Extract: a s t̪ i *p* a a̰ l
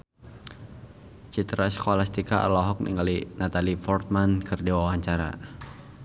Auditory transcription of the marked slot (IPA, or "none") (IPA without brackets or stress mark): k